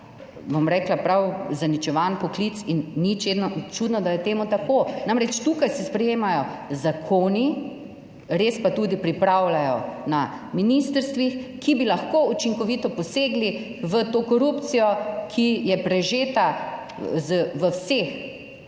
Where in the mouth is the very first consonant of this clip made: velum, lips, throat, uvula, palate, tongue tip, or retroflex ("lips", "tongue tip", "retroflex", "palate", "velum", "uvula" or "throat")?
lips